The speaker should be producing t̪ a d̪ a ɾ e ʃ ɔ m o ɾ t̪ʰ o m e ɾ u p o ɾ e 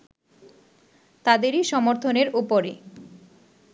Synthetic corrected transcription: t̪ a d̪ e ɾ i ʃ ɔ m o ɾ t̪ʰ o n e ɾ u p o ɾ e